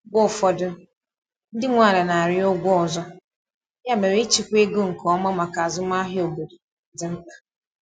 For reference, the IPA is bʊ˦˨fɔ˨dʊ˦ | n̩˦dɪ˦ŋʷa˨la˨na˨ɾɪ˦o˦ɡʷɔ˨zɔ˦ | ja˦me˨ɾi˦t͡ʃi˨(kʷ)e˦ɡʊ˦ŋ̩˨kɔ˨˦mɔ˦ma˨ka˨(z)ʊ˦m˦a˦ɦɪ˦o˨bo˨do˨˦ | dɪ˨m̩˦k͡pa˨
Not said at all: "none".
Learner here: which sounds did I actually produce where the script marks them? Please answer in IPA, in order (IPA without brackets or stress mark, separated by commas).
kʷ, z